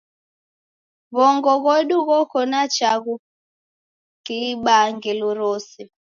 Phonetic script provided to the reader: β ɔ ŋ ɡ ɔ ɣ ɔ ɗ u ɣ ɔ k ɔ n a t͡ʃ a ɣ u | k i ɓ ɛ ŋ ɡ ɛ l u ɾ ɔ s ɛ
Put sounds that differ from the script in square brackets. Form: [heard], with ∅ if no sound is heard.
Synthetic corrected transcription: β ɔ ŋ ɡ ɔ ɣ ɔ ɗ u ɣ ɔ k ɔ n a t͡ʃ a ɣ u | k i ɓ [a] ŋ ɡ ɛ l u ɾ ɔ s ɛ